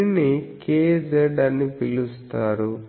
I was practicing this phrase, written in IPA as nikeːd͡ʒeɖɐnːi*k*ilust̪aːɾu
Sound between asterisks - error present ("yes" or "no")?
yes